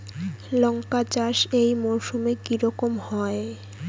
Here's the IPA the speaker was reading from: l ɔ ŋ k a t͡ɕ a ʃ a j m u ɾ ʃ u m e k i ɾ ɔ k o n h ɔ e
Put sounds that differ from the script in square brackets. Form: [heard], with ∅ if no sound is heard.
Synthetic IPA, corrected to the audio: l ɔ ŋ k a t͡ɕ a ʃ [e] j m [o] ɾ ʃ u m e k i ɾ ɔ k o [m] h ɔ e